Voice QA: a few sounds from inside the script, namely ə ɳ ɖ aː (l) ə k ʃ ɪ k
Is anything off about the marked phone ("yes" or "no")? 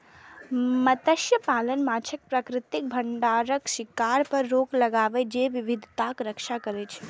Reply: yes